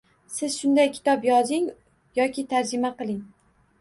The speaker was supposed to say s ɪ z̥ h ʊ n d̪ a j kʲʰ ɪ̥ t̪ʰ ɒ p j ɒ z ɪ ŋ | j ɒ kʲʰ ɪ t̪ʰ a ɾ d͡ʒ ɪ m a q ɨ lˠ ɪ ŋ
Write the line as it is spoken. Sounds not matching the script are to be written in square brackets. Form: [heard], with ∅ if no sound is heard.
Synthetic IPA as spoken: s ɪ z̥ [ʃ] ʊ n d̪ a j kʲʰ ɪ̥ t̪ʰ ɒ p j ɒ z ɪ ŋ | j ɒ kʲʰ ɪ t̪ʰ a ɾ d͡ʒ ɪ m a q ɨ lˠ ɪ ŋ